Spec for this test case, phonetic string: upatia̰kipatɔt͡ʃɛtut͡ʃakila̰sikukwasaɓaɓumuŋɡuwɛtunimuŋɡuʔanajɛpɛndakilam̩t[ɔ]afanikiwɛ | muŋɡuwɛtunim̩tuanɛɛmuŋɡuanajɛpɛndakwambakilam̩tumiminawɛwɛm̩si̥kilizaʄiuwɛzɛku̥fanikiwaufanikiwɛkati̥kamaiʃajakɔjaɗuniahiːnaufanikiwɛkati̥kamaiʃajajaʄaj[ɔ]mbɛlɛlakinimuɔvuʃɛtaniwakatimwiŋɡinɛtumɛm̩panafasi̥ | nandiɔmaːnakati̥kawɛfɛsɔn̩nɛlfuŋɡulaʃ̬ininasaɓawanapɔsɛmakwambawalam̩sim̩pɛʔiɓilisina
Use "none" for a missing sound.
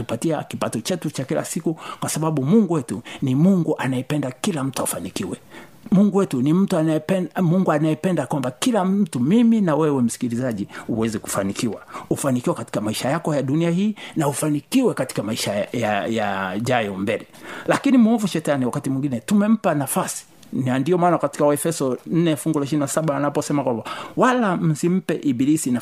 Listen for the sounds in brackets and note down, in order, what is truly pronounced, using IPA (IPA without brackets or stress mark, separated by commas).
u, ɔ